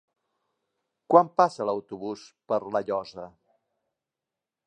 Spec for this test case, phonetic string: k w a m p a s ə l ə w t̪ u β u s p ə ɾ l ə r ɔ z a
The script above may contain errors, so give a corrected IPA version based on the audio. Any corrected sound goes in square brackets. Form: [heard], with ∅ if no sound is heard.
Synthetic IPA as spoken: k w a m p a s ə l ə w t̪ u β u s p ə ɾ l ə [ʎ] ɔ z [ə]